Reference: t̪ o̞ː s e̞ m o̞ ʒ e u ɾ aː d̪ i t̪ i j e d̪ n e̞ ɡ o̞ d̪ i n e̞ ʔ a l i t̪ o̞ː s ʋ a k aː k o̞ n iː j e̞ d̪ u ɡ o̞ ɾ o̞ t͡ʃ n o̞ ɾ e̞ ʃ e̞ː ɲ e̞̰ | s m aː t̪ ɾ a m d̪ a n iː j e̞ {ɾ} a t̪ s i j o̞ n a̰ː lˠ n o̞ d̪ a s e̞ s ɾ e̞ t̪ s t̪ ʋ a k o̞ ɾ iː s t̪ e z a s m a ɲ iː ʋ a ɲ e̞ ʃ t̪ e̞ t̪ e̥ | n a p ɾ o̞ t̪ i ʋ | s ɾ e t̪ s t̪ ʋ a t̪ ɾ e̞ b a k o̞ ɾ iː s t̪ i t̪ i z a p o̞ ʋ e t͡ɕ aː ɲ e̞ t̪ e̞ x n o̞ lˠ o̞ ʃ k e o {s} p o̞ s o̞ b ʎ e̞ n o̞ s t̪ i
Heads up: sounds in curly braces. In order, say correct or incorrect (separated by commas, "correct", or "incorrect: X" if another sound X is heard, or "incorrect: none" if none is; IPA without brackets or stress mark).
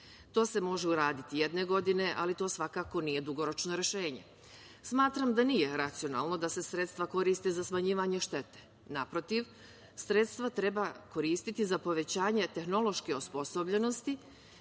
correct, correct